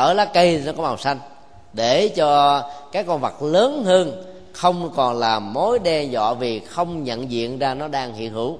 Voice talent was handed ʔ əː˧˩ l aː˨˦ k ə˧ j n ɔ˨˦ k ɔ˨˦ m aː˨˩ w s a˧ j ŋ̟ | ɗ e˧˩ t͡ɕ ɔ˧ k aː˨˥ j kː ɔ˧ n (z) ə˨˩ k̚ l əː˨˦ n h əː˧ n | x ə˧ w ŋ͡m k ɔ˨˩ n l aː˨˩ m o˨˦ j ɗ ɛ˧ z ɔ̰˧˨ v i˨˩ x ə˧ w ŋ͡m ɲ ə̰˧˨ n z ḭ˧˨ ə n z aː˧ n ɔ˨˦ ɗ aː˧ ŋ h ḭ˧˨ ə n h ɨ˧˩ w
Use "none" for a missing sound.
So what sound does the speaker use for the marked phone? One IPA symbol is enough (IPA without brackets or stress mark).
v